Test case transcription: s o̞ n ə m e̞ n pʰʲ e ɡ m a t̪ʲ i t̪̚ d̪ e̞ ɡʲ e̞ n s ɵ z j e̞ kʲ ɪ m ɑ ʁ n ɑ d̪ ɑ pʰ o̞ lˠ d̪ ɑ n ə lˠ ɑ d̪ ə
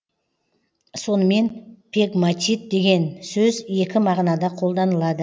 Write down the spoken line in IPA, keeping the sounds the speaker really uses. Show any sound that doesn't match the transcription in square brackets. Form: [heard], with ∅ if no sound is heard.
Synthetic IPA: s o̞ n ə m e̞ n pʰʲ e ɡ m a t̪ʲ i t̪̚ d̪ e̞ ɡʲ e̞ n s ɵ z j e̞ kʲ ɪ m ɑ ʁ n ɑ d̪ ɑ [qʰ] o̞ lˠ d̪ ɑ n ə lˠ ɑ d̪ ə